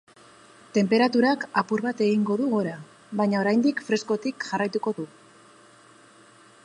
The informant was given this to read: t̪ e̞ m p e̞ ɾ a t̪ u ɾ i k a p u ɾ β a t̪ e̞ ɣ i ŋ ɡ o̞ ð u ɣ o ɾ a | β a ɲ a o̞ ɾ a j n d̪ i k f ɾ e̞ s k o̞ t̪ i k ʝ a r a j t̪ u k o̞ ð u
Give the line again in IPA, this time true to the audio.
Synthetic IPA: t̪ e̞ m p e̞ ɾ a t̪ u ɾ a k a p u ɾ β a t̪ e̞ ɣ i ŋ ɡ o̞ ð u ɣ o ɾ a | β a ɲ a o̞ ɾ a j n d̪ i k f ɾ e̞ s k o̞ t̪ i k ʝ a r a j t̪ u k o̞ ð u